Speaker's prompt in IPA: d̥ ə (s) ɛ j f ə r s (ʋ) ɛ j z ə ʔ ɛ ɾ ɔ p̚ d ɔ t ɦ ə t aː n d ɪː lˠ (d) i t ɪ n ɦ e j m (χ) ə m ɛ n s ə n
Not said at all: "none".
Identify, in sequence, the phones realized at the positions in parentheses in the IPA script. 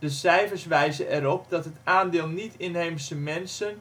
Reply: s, ʋ, n, s

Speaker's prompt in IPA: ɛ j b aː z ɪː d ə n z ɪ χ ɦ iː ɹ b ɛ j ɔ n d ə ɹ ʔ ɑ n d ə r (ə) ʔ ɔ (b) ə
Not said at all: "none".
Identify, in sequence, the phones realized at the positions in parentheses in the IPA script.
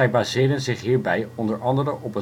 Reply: ə, p

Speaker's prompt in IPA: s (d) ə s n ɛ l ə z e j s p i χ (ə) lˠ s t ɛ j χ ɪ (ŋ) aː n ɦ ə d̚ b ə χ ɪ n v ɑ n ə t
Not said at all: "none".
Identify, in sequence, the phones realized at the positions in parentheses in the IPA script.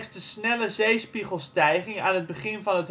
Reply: d, ə, ŋ

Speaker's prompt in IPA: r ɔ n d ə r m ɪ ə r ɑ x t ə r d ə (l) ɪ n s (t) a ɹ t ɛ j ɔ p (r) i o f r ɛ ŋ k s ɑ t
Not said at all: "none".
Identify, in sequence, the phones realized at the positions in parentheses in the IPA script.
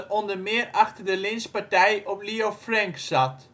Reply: l, p, l

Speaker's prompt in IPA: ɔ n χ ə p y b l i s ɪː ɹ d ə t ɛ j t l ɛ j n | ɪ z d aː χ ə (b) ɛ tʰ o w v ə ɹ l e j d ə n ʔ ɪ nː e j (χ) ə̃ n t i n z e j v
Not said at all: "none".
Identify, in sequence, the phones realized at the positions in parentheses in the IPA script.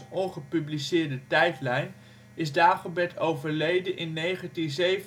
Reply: b, χ

